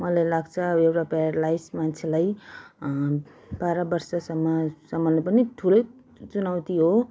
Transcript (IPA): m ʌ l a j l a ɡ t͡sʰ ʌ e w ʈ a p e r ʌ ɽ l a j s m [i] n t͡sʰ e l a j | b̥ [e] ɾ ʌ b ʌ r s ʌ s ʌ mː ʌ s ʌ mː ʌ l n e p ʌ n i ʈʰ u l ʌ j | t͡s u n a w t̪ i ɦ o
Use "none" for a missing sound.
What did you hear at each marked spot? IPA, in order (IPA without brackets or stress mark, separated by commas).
a, a